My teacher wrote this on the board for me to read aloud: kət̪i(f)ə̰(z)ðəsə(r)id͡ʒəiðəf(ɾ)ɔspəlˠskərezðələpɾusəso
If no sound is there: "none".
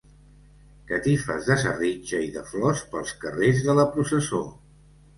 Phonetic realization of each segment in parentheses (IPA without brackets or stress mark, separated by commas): f, z, r, l